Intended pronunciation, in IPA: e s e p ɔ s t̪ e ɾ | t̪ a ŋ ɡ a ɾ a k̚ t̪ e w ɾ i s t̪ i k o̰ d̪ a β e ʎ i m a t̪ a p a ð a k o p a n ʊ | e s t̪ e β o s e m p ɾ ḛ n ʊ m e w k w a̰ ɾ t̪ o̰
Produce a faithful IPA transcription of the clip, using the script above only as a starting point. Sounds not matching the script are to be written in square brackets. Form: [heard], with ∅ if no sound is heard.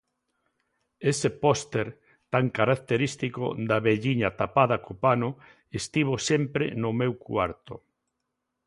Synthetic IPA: e s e p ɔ s t̪ e ɾ | t̪ a ŋ [k] a ɾ a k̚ t̪ e [∅] ɾ i s t̪ i k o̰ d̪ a β e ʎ i [ɲ] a t̪ a p a ð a k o p a n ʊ | e s t̪ [i] β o s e m p ɾ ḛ n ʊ m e w k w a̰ ɾ t̪ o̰